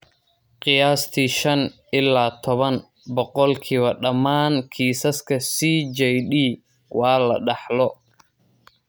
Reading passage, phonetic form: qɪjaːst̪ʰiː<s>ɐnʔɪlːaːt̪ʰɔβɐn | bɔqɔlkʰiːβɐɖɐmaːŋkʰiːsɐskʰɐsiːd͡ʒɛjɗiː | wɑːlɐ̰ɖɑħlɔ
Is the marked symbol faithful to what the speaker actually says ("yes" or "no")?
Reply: no